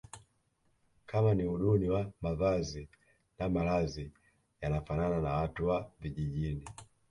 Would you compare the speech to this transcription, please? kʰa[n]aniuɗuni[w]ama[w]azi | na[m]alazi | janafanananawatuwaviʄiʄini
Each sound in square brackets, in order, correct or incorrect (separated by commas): incorrect, correct, incorrect, correct